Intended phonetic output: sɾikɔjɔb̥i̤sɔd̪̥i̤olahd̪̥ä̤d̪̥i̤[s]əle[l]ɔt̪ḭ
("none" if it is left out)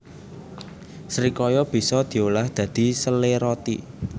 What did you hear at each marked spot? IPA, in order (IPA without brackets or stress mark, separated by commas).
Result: s, ɾ